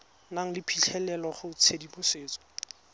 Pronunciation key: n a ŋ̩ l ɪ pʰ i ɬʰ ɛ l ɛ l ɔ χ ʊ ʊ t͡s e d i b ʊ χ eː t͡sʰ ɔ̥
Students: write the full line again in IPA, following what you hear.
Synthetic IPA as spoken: n a ŋ̩ l ɪ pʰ i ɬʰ ɛ l ɛ l ɔ χ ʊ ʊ t͡sʰ e d i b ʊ s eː t͡s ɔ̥